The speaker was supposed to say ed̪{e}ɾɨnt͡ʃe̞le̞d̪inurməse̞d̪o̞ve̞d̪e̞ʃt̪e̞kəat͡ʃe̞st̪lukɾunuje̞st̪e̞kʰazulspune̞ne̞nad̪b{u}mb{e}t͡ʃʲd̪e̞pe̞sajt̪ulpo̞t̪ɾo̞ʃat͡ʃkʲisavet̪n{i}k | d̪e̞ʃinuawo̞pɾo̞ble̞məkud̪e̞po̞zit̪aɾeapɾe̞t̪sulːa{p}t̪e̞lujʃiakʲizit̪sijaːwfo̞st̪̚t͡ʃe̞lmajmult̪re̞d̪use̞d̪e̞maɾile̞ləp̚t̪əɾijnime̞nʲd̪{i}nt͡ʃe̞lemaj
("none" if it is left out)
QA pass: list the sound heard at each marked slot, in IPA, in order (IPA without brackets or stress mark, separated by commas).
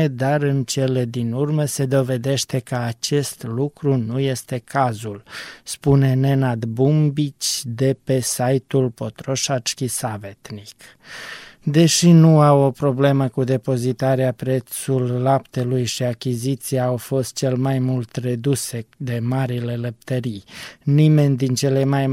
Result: a, u, i, i, p, i